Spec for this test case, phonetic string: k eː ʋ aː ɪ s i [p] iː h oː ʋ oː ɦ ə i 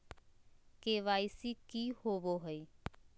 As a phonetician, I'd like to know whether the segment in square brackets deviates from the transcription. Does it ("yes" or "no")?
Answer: yes